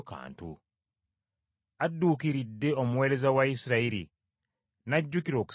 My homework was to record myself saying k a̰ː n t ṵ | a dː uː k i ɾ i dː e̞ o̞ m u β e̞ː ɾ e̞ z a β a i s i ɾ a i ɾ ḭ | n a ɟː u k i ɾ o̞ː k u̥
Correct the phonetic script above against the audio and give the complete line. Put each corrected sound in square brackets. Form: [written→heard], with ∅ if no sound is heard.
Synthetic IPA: k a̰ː n t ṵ | a dː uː k i ɾ i dː e̞ o̞ m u [β→w] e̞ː ɾ e̞ z a [β→w] a i s i ɾ a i ɾ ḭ | n a ɟː u k i ɾ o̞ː k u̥